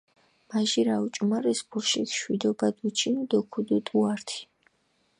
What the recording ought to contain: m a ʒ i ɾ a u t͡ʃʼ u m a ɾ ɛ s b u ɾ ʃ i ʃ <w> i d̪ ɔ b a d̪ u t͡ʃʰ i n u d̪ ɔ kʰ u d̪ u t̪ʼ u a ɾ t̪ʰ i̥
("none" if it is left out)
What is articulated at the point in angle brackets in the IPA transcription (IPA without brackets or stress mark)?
w